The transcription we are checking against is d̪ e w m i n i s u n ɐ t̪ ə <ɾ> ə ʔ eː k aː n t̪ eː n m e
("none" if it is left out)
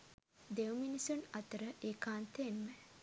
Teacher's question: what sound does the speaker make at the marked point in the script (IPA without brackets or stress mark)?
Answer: ɾ